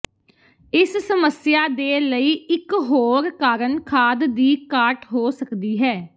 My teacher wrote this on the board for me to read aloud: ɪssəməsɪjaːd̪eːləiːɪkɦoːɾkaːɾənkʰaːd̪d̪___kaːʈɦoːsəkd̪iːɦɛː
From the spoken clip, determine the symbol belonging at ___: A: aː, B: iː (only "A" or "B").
B